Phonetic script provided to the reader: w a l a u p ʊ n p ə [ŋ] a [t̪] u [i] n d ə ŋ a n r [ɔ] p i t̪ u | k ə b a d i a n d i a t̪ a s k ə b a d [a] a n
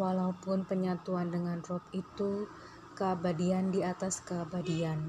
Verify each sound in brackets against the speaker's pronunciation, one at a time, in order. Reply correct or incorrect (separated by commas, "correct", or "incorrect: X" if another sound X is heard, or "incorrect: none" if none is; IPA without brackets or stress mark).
incorrect: ɲ, correct, incorrect: a, correct, incorrect: i